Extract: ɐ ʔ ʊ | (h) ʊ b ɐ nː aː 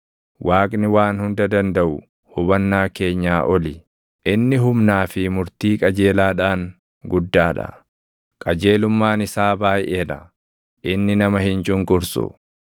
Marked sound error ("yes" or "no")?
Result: no